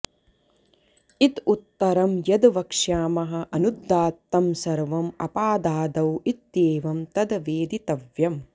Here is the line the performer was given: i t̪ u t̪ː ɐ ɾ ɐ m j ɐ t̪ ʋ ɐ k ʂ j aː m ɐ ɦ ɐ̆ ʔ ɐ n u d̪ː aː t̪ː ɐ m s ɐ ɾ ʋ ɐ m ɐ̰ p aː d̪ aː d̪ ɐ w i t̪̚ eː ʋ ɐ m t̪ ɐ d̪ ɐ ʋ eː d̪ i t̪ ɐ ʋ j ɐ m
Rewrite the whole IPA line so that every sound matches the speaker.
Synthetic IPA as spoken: i t̪ u t̪ː ɐ ɾ ɐ m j ɐ d̪ ʋ ɐ k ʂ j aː m ɐ ɦ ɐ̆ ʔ ɐ n u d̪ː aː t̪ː ɐ m s ɐ ɾ ʋ ɐ m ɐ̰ p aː d̪ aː d̪ ɐ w i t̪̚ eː ʋ ɐ m t̪ ɐ d̪ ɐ ʋ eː d̪ i t̪ ɐ ʋ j ɐ m